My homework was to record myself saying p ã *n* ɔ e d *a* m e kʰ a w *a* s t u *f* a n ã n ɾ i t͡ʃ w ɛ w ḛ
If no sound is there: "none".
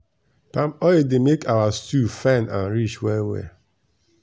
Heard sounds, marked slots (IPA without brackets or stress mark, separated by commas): m, e, a, f